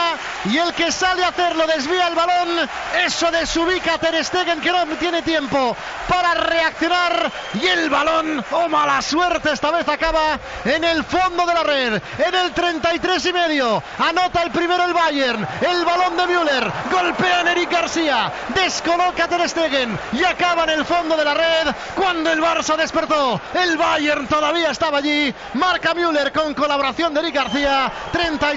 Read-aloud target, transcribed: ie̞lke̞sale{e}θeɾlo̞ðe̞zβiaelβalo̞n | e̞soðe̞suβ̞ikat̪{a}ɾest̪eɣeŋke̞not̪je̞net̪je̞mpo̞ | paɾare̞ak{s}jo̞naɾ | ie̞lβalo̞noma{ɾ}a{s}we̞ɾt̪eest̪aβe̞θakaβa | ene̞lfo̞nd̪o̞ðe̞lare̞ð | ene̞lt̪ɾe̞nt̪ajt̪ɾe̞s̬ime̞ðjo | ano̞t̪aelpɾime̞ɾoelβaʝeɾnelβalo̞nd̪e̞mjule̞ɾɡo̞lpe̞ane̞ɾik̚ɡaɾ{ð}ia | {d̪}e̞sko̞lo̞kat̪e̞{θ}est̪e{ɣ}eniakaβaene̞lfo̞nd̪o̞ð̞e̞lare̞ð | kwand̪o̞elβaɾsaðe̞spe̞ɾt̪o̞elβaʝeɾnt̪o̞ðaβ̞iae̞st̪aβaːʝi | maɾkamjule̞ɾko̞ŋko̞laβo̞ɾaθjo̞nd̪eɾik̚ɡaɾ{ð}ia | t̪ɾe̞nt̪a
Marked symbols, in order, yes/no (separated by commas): no, no, no, no, yes, no, yes, no, yes, no